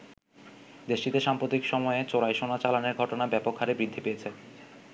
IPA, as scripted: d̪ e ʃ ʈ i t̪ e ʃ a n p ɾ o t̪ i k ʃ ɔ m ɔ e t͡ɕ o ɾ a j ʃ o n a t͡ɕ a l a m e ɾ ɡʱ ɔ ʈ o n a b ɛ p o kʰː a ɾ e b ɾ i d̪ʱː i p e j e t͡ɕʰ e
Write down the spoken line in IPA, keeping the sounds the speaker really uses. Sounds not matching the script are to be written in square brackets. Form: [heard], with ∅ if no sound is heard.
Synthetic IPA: d̪ e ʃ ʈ i t̪ e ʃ a [m] p ɾ o t̪ i k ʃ ɔ m ɔ e t͡ɕ o ɾ a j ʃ o n a t͡ɕ a l a [n] e ɾ ɡʱ ɔ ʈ o n a b ɛ p o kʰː a ɾ e b ɾ i d̪ʱː i p e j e t͡ɕʰ e